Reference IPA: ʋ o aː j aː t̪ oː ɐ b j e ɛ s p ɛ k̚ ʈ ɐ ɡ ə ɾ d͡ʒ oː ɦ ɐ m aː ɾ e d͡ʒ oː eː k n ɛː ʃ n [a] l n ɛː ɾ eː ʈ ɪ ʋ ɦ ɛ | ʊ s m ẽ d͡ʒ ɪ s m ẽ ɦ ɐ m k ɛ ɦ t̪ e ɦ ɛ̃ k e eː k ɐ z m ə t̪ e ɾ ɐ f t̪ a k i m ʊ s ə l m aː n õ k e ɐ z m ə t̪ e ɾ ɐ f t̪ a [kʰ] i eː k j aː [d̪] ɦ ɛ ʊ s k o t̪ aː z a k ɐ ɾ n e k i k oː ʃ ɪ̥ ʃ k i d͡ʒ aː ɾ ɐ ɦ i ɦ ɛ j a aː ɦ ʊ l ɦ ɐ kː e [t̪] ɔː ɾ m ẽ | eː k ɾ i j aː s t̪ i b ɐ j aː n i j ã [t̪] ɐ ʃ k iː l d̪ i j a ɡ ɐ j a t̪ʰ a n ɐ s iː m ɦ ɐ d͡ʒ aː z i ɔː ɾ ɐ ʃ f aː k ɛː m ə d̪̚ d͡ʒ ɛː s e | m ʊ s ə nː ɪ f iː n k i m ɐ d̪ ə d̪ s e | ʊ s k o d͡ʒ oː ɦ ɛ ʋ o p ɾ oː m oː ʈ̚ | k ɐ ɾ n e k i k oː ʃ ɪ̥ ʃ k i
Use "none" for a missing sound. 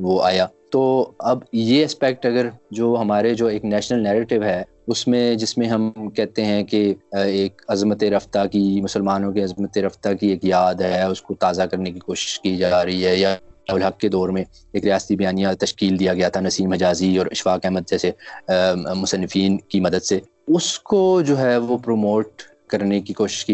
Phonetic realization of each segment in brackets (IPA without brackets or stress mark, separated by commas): ə, k, d̪, d̪, t̪